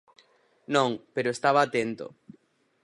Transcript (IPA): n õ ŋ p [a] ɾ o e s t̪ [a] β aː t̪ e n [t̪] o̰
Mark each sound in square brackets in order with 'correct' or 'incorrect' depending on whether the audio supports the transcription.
incorrect, correct, correct

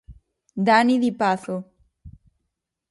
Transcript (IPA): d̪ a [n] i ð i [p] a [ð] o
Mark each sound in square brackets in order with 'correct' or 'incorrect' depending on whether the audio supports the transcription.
correct, correct, incorrect

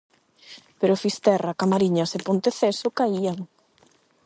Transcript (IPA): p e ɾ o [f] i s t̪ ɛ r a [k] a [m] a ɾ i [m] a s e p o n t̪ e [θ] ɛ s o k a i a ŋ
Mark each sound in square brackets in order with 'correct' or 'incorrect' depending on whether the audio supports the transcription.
correct, correct, correct, incorrect, correct

